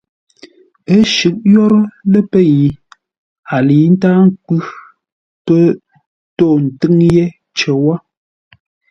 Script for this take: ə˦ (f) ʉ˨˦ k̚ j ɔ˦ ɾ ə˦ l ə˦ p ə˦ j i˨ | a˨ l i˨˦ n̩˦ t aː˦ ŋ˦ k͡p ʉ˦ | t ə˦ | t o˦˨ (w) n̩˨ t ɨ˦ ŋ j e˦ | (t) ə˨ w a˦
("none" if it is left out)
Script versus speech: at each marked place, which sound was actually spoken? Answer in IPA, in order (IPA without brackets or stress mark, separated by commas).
ʃ, none, t͡ʃ